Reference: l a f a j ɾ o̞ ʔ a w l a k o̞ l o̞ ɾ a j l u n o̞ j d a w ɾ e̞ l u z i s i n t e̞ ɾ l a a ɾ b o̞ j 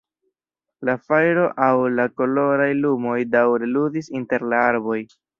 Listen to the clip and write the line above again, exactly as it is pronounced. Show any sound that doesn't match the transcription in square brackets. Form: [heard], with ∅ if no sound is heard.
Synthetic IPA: l a f a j ɾ o̞ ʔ a w l a k o̞ l o̞ ɾ a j l u [m] o̞ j d a w ɾ e̞ l u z i s i n t e̞ ɾ l a a ɾ b o̞ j

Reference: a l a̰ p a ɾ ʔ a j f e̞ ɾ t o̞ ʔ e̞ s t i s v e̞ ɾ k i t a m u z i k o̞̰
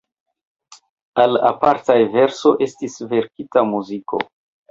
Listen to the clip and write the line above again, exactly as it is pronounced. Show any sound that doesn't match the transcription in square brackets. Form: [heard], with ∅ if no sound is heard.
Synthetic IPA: a l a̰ p a ɾ [t] a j [v] e̞ ɾ [s] o̞ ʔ e̞ s t i s v e̞ ɾ k i t a m u z i k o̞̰

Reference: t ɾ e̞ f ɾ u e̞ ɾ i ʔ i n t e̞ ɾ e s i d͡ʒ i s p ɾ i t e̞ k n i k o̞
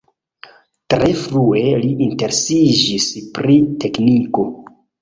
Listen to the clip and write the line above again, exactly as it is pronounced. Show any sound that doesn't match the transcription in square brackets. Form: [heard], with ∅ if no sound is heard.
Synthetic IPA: t ɾ e̞ f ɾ u e̞ [l] i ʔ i n t e̞ ɾ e s i d͡ʒ i s p ɾ i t e̞ k n i k o̞

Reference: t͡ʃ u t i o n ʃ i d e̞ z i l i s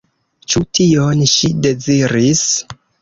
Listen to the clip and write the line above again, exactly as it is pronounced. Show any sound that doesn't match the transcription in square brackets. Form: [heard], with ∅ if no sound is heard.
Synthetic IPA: t͡ʃ u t i o n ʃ i d e̞ z i [ɾ] i s

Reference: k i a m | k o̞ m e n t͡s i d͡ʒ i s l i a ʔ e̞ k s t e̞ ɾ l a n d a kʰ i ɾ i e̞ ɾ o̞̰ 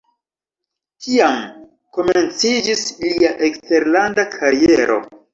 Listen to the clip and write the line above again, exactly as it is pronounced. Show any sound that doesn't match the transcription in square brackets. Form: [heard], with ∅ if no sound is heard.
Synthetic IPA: k i a m | k o̞ m e n t͡s i d͡ʒ i s l i a ʔ e̞ k s t e̞ ɾ l a n d a kʰ [a] ɾ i e̞ ɾ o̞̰

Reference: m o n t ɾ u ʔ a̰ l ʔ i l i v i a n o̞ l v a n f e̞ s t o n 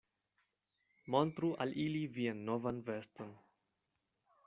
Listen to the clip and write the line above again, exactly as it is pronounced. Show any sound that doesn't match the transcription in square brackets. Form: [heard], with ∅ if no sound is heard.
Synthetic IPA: m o n t ɾ u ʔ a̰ l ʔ i l i v i a [nː] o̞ [∅] v a n [v] e̞ s t o n

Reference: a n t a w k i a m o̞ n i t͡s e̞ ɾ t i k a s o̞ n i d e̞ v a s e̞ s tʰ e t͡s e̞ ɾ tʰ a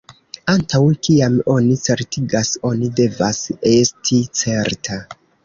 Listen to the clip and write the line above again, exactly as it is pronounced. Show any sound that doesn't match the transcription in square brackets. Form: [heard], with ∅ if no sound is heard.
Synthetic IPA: a n t a w k i a m o̞ n i t͡s e̞ ɾ t i [ɡ] a s o̞ n i d e̞ v a s e̞ s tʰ [i] t͡s e̞ ɾ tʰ a

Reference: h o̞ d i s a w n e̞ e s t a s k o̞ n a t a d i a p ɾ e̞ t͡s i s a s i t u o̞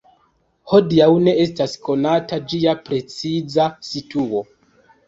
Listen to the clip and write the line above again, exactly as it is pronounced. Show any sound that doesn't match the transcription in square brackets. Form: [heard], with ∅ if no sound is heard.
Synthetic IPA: h o̞ d i [∅] a w n e̞ e s t a s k o̞ n a t a [d͡ʒ] i a p ɾ e̞ t͡s i [z] a s i t u o̞

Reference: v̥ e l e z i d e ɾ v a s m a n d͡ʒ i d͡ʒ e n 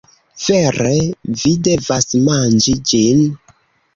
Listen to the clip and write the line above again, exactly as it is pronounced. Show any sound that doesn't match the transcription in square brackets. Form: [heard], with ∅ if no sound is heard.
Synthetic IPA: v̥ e [ɾ] e [v] i d e [∅] v a s m a n d͡ʒ i d͡ʒ [i] n

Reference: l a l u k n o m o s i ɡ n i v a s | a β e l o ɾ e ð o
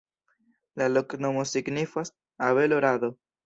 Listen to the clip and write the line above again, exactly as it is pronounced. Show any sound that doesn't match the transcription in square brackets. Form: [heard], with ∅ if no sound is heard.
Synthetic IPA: l a l [o] k n o m o s i ɡ n i [f] a s | a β e l o ɾ [a] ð o

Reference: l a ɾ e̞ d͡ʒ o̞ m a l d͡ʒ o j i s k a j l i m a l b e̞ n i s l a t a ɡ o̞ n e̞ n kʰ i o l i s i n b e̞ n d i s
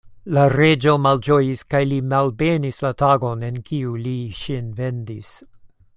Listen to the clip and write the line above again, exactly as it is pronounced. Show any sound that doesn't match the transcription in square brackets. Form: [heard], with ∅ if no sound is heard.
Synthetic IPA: l a ɾ e̞ d͡ʒ o̞ m a l d͡ʒ o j i s k a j l i m a l b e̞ n i s l a t a ɡ o̞ n e̞ n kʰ i [u] l i [ʃ] i n [v] e̞ n d i s

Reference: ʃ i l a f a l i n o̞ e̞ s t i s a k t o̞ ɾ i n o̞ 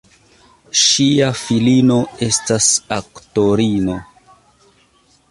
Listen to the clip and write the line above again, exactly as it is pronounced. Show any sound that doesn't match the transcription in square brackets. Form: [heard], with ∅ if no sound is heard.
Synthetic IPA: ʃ i [∅] a f [i] l i n o̞ e̞ s t [a] s a k t o̞ ɾ i n o̞

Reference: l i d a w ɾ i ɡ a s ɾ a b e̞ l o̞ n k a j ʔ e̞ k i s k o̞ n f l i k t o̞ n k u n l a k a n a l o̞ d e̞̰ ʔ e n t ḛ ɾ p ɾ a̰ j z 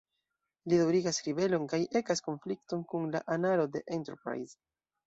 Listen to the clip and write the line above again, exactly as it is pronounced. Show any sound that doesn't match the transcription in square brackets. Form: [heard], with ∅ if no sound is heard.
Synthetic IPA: l i d a w ɾ i ɡ a s ɾ [i] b e̞ l o̞ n k a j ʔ e̞ k [a] s k o̞ n f l i k t o̞ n k u n l a [ʔ] a n a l o̞ d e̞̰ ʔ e n t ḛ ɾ p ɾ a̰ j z

